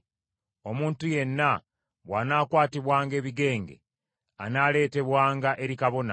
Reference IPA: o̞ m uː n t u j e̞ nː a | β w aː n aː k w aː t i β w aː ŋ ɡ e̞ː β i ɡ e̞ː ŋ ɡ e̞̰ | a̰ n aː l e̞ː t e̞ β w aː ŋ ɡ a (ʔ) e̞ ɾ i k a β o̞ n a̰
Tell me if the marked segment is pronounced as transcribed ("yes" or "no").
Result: yes